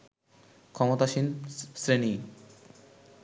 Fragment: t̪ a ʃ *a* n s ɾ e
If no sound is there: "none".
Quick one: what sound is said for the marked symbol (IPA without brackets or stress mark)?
i